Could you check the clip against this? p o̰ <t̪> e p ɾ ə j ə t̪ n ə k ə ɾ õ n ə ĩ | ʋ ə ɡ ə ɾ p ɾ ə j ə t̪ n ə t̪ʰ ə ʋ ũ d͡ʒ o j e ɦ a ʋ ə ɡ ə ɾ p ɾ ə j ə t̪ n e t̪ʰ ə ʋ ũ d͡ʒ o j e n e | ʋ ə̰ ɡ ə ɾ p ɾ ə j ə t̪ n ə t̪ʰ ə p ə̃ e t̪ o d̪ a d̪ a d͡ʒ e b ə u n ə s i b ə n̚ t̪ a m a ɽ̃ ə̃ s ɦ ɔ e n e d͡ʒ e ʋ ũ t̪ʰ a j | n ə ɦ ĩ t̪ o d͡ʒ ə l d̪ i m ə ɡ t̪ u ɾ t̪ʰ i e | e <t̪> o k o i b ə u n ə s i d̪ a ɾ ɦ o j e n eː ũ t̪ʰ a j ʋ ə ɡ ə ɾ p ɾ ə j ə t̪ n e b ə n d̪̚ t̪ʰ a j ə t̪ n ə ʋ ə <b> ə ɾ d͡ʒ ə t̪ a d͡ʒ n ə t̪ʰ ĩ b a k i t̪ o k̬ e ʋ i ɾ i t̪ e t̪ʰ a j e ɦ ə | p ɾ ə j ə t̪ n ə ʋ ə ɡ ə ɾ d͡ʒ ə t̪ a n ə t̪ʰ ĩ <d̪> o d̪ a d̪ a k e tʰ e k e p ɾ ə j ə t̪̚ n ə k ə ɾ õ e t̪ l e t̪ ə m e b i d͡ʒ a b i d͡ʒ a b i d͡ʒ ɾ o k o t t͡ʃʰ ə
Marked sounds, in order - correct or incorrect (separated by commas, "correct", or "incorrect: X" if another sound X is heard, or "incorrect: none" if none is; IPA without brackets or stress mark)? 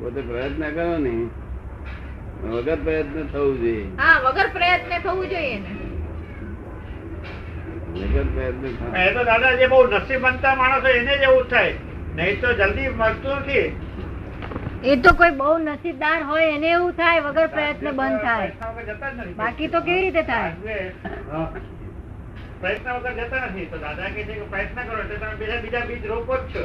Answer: correct, correct, incorrect: ɡ, incorrect: t̪